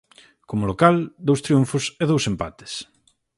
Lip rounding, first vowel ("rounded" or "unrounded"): rounded